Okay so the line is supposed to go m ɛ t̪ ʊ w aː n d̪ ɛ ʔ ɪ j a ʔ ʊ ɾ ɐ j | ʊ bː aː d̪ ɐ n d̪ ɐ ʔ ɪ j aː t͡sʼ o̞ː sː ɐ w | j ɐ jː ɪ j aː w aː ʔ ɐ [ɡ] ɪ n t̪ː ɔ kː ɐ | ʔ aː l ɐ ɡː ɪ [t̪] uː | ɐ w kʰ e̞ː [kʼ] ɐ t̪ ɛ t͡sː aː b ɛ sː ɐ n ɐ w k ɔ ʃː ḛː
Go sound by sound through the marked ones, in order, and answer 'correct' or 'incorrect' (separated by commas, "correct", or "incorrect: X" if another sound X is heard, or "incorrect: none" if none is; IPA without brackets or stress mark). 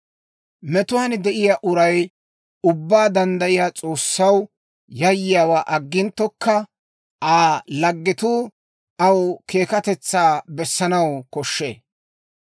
incorrect: ɡː, correct, incorrect: k